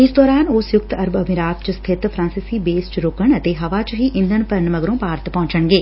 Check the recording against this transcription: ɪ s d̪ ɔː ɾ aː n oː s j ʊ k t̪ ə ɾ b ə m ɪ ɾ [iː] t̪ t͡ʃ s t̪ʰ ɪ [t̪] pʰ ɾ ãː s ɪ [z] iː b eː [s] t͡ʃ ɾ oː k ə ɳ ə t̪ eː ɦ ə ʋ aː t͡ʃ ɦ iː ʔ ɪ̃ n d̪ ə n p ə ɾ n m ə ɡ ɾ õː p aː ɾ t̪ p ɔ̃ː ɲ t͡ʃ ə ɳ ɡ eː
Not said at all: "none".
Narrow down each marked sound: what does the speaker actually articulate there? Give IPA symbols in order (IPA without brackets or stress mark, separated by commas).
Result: aː, t̪, s, s